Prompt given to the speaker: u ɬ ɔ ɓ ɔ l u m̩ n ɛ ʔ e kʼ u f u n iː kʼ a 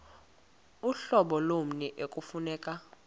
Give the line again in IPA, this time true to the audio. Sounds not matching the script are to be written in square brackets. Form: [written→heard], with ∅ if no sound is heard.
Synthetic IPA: u ɬ ɔ ɓ ɔ l [u→o] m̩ n ɛ ʔ e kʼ u f u n [iː→ɛː] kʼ a